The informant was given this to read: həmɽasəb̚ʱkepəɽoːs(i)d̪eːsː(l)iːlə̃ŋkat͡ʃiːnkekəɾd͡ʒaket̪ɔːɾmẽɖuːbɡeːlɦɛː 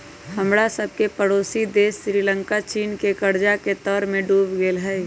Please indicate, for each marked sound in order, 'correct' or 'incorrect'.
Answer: correct, incorrect: ɾ

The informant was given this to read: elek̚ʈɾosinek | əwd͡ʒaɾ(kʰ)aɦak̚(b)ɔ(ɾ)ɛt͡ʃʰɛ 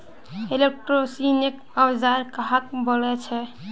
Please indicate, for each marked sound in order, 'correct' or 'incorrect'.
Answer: incorrect: k, correct, incorrect: l

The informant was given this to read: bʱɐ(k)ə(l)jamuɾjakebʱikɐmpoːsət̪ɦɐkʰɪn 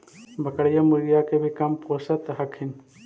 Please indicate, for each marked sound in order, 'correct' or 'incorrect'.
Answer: correct, incorrect: ɽ

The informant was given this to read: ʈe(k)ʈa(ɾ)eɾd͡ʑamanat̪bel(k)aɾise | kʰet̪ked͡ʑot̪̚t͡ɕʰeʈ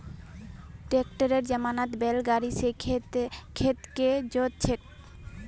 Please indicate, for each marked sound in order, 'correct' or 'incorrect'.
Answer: correct, correct, incorrect: ɡ

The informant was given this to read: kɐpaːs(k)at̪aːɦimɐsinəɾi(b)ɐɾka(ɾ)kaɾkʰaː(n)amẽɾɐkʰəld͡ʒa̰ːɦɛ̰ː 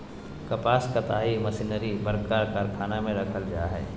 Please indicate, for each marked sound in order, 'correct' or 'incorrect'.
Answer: correct, correct, correct, correct

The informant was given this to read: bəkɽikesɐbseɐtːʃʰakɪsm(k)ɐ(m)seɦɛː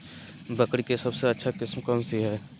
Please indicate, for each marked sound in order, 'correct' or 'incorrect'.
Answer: correct, correct

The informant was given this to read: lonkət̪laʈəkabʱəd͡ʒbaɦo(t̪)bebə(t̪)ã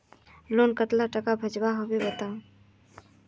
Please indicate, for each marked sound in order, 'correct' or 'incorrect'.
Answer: incorrect: none, correct

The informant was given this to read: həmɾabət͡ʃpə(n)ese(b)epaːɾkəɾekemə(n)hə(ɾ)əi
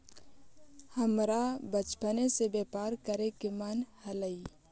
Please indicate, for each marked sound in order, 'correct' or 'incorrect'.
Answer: correct, correct, correct, incorrect: l

